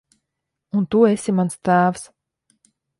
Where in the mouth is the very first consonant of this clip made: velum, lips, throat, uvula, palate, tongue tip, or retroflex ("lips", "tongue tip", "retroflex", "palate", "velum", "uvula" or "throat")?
tongue tip